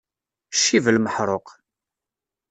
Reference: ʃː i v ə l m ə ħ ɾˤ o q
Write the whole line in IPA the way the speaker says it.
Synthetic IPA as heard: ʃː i v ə l m ə ħ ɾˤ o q